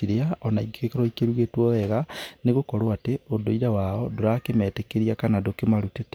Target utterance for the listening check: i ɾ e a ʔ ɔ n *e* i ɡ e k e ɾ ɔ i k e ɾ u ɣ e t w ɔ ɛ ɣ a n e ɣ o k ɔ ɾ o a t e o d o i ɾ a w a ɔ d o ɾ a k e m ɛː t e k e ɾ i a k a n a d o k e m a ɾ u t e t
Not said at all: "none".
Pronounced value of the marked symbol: a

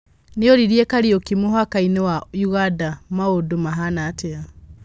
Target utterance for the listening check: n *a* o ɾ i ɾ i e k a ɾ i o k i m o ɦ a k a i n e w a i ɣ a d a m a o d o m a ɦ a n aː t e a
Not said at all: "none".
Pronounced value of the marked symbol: e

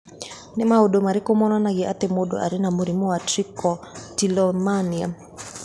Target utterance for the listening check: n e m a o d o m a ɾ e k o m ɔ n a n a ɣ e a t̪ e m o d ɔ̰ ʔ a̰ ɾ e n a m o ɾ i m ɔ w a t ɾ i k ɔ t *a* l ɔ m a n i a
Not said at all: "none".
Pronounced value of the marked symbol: i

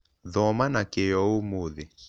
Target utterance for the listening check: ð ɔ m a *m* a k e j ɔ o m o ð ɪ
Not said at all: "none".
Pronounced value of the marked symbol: n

